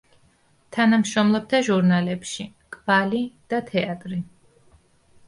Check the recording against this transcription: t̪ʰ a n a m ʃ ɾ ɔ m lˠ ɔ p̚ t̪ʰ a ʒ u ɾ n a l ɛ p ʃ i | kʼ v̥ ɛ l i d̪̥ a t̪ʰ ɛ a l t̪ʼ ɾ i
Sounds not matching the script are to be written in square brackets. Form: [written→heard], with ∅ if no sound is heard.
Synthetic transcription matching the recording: t̪ʰ a n a m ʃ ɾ ɔ m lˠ ɔ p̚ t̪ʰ a ʒ u ɾ n a l ɛ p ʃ i | kʼ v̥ [ɛ→a] l i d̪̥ a t̪ʰ ɛ a [l→∅] t̪ʼ ɾ i